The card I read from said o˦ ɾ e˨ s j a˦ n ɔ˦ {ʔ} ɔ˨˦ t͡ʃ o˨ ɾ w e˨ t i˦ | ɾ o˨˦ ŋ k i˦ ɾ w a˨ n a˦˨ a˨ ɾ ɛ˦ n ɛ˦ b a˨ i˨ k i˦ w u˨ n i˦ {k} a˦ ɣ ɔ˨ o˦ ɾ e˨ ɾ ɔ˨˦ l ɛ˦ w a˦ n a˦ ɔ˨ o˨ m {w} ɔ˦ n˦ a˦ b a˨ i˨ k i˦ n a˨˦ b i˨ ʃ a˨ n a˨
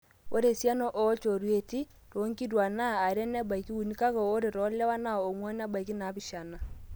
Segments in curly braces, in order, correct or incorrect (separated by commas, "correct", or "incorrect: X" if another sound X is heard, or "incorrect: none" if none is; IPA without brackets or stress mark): correct, correct, correct